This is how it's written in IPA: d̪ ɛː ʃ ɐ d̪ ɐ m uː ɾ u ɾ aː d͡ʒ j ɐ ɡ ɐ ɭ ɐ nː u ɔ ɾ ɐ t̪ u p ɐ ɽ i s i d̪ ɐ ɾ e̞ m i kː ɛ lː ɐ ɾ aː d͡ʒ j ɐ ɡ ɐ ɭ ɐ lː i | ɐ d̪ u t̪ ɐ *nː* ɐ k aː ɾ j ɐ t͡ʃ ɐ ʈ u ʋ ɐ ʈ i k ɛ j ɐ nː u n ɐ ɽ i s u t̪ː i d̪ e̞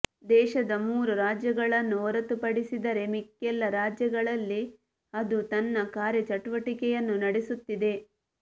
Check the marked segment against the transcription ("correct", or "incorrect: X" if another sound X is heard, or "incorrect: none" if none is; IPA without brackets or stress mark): correct